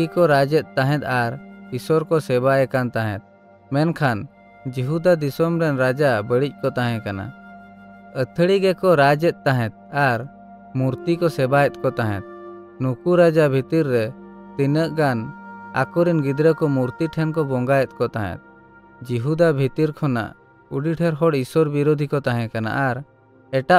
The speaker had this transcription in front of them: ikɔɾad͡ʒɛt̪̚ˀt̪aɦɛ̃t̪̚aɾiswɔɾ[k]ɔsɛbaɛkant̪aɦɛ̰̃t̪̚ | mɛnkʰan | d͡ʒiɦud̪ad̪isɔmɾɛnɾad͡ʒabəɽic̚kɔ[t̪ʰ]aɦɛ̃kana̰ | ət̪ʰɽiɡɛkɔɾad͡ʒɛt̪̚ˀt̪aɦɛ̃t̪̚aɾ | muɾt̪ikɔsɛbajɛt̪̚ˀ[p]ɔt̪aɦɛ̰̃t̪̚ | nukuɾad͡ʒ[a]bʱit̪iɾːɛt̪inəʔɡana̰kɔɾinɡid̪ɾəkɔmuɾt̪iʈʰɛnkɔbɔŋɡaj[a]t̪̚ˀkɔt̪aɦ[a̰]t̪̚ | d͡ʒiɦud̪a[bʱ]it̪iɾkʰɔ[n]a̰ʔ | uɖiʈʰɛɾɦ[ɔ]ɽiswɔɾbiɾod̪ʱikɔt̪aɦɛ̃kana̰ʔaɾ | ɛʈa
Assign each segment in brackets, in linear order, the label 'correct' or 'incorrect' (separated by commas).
correct, incorrect, incorrect, correct, incorrect, incorrect, correct, correct, correct